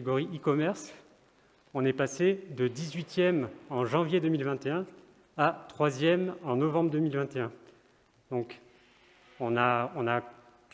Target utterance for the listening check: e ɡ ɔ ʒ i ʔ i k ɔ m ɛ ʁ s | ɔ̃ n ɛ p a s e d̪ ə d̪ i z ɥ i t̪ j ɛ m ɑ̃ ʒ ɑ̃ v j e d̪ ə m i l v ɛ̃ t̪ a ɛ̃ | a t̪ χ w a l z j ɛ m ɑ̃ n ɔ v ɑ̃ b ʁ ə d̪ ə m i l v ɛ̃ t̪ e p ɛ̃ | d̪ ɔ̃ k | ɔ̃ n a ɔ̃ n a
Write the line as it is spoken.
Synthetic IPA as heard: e ɡ ɔ ʁ i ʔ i k ɔ m ɛ ʁ s | ɔ̃ n ɛ p a s e d̪ ə d̪ i z ɥ i t̪ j ɛ m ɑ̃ ʒ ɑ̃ v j e d̪ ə m i l v ɛ̃ t̪ e ɛ̃ | a t̪ χ w a z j ɛ m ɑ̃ n ɔ v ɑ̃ b ʁ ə d̪ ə m i l v ɛ̃ t̪ e ɛ̃ | d̪ ɔ̃ k | ɔ̃ n a ɔ̃ n a

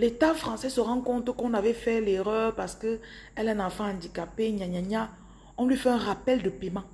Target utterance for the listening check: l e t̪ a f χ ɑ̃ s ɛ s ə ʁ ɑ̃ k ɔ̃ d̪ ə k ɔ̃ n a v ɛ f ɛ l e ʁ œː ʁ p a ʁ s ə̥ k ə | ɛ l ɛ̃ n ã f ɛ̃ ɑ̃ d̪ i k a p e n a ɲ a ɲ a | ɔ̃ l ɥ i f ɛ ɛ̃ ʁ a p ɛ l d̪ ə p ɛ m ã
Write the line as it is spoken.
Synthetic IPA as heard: l e t̪ a f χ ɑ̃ s ɛ s ə ʁ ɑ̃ k ɔ̃ t̪ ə k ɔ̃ n a v ɛ f ɛ l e ʁ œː ʁ p a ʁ s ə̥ k ə | ɛ l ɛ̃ n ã f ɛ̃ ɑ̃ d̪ i k a p e ɲ a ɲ a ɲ a | ɔ̃ l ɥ i f ɛ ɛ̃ ʁ a p ɛ l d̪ ə p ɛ m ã

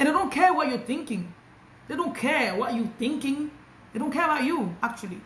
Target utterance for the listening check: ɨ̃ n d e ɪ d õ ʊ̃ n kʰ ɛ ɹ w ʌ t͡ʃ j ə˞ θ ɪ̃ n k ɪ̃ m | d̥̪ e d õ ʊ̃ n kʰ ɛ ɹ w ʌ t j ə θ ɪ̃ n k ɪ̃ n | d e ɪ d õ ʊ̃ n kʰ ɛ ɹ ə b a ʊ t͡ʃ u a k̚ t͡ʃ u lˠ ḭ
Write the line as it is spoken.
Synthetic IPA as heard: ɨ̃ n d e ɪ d õ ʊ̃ n kʰ ɛ ɹ w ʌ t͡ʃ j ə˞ θ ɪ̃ ŋ k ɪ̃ ŋ | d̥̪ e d õ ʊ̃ n kʰ ɛ ɹ w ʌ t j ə θ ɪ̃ ŋ k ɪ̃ ŋ | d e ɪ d õ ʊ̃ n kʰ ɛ ɹ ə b a ʊ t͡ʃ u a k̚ t͡ʃ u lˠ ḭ

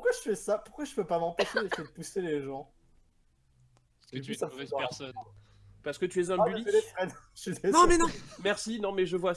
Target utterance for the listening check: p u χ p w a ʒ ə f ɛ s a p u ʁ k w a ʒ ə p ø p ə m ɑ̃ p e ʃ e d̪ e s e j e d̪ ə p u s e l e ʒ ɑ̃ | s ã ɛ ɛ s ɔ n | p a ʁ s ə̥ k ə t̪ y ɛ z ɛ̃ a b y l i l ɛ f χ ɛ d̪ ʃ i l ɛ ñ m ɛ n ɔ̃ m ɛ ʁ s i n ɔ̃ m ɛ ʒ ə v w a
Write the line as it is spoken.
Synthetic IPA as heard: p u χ k w a ʒ ə f ɛ s a p u ʁ k w a ʒ ə p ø p a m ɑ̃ p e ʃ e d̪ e s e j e d̪ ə p u s e l e ʒ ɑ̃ | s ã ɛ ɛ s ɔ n | p a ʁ s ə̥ k ə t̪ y ɛ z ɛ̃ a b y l i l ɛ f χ ɛ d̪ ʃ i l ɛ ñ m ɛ n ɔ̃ m ɛ ʁ s i n ɔ̃ m ɛ ʒ ə v w a

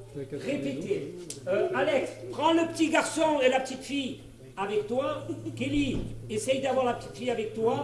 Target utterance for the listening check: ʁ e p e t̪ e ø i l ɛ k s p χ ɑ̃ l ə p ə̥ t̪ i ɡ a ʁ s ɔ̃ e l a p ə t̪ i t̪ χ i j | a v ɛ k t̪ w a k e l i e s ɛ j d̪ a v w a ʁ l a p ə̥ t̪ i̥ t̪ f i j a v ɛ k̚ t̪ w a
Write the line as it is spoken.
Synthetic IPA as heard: ʁ e p e t̪ e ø a l ɛ k s p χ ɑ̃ l ə p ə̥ t̪ i ɡ a ʁ s ɔ̃ e l a p ə t̪ i t̪ f i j | a v ɛ k t̪ w a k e l i e s ɛ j d̪ a v w a ʁ l a p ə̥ t̪ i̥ t̪ f i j a v ɛ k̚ t̪ w a

